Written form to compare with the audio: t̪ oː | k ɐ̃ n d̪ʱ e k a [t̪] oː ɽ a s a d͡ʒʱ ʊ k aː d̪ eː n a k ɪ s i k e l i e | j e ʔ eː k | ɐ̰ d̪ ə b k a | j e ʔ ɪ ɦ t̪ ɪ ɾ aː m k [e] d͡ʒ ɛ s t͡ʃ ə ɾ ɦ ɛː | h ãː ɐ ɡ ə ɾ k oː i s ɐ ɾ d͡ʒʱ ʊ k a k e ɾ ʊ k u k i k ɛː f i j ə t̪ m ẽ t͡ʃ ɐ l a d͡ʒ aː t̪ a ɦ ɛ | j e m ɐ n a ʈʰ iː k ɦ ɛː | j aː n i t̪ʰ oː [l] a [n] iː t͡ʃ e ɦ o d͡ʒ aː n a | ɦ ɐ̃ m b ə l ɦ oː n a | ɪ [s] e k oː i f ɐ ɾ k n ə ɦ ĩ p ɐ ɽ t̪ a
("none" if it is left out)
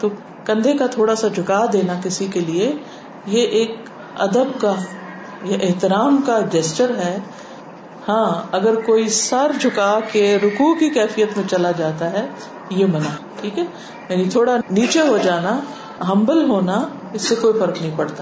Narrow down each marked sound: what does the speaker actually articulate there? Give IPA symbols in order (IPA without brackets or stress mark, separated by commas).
t̪ʰ, a, ɽ, n, sː